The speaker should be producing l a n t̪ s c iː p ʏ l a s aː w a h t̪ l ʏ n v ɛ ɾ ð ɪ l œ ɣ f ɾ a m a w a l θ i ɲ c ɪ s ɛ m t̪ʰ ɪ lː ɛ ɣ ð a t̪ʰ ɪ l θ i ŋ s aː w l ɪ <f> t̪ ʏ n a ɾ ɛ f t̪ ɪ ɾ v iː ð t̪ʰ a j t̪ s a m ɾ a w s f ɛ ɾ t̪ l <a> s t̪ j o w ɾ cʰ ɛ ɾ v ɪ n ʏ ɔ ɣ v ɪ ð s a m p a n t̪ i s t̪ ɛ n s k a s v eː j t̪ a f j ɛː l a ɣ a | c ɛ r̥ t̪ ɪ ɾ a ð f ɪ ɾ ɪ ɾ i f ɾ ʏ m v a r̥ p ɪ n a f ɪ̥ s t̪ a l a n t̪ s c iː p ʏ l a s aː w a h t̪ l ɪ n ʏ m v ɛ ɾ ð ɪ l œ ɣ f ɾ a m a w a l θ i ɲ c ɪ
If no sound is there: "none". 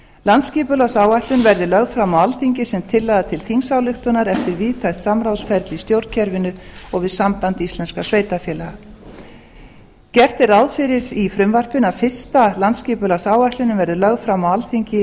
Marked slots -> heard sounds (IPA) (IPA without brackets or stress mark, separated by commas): x, i